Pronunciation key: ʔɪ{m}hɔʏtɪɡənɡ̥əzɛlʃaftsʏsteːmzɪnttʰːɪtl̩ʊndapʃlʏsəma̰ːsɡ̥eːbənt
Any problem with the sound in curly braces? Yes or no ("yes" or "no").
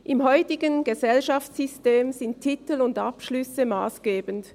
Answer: no